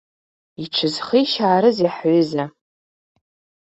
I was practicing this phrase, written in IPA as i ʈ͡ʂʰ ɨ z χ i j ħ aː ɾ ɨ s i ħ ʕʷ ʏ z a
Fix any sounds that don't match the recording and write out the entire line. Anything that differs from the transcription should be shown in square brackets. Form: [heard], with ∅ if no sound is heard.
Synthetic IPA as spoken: i ʈ͡ʂʰ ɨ z χ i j [ʃ] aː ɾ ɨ [z] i ħ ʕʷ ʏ z a